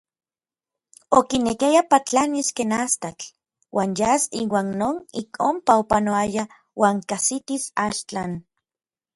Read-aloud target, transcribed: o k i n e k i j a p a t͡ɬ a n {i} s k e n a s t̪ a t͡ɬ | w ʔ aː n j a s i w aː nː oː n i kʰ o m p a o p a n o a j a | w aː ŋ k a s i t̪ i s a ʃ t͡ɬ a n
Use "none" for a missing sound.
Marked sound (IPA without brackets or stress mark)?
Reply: i